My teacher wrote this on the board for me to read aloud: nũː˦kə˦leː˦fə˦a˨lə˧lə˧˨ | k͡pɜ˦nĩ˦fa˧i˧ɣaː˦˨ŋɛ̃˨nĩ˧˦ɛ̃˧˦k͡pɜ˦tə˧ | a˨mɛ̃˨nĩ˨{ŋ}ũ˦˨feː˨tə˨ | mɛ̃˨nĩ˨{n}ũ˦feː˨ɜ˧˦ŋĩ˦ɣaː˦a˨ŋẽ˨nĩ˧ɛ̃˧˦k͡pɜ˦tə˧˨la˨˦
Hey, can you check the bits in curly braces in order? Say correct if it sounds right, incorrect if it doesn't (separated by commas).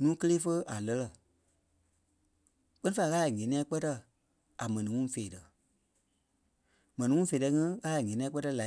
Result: correct, incorrect